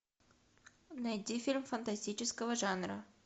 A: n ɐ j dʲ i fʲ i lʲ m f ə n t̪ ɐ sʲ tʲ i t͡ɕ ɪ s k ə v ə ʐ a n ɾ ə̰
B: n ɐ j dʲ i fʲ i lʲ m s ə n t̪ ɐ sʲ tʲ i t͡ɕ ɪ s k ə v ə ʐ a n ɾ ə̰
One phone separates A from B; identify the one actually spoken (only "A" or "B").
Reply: A